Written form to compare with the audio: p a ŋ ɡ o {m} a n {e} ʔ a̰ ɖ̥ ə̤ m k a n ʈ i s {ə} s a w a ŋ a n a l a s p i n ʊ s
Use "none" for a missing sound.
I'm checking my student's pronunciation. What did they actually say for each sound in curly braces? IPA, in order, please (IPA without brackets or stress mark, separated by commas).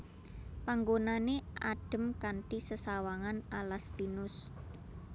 n, e, ə